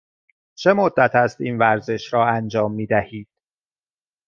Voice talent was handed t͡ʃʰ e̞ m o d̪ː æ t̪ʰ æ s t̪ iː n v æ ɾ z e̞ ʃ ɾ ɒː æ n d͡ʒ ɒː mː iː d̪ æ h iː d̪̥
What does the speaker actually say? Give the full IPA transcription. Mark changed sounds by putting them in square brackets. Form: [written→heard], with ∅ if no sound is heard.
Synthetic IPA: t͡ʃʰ e̞ m o d̪ː æ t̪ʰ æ s t̪ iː n v æ ɾ z e̞ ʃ ɾ ɒː æ n d͡ʒ ɒː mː iː d̪ æ h iː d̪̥